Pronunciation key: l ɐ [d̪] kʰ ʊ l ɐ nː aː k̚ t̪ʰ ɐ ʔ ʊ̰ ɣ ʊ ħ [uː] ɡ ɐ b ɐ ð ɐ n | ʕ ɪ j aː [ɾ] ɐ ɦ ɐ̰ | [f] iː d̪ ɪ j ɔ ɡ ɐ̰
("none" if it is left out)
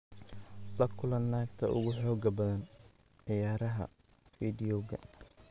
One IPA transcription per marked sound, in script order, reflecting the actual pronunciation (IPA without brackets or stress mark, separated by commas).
none, ɔː, ɾ, f